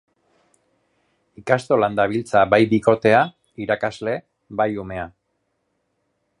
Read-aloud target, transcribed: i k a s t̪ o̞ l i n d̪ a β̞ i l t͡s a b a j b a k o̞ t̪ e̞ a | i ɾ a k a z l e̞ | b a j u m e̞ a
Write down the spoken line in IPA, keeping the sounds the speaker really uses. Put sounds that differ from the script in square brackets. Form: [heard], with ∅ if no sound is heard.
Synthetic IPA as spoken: i k a s t̪ o̞ l [a] n d̪ a β̞ i l t͡s a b a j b [i] k o̞ t̪ e̞ a | i ɾ a k a z l e̞ | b a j u m e̞ a